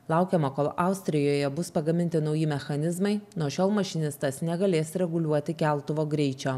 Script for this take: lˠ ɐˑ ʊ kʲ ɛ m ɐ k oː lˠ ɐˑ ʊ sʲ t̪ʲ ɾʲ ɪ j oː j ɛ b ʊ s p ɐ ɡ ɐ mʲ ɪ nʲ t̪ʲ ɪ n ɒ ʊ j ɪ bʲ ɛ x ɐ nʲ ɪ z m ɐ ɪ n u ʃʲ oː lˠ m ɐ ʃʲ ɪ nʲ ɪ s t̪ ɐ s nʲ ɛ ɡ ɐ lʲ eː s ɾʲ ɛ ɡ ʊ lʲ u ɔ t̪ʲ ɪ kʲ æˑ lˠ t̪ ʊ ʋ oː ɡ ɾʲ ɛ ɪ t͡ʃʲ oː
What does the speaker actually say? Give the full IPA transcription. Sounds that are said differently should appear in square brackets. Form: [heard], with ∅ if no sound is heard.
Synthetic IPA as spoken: lˠ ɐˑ ʊ kʲ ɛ m ɐ k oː lˠ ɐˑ ʊ sʲ t̪ʲ ɾʲ ɪ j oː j ɛ b ʊ s p ɐ ɡ ɐ mʲ ɪ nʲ t̪ʲ ɪ n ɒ ʊ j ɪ [mʲ] ɛ x ɐ nʲ ɪ z m ɐ ɪ n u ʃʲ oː lˠ m ɐ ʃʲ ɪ nʲ ɪ s t̪ ɐ s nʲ ɛ ɡ ɐ lʲ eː s ɾʲ ɛ ɡ ʊ lʲ u ɔ t̪ʲ ɪ kʲ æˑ lˠ t̪ ʊ ʋ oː ɡ ɾʲ ɛ ɪ t͡ʃʲ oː